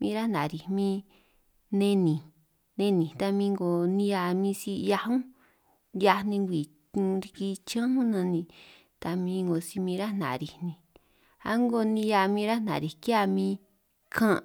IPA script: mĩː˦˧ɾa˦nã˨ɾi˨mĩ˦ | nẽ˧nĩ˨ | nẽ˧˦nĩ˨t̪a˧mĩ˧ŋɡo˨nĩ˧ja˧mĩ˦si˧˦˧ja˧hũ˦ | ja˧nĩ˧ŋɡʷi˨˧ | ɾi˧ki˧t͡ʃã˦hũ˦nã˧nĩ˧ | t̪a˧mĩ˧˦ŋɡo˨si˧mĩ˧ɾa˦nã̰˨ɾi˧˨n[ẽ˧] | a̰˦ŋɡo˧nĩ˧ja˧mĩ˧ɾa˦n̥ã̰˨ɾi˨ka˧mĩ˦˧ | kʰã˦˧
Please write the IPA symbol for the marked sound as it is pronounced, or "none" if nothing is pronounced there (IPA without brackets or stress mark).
ĩ˧